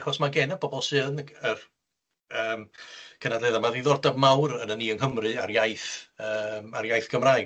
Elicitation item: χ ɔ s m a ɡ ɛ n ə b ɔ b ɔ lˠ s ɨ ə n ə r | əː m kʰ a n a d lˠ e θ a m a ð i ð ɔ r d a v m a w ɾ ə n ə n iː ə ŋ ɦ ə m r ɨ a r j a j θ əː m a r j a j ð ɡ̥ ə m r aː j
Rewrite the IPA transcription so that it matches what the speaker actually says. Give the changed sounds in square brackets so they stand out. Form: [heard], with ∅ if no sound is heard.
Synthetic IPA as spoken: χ ɔ s m a ɡ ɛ n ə b ɔ b ɔ lˠ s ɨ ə n ə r | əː m kʰ [ə] n a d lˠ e [ð] a m a ð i ð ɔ r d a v m a w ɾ ə n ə n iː ə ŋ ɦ ə m r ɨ a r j a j θ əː m a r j a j [θ] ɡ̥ ə m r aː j